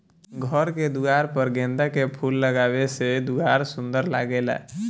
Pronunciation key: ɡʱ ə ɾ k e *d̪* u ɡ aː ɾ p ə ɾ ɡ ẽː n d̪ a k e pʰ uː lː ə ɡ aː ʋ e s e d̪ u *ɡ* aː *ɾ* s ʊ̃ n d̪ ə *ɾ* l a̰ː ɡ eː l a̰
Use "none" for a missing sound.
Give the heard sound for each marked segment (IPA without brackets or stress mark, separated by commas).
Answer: d̪, ɡ, ɾ, ɾ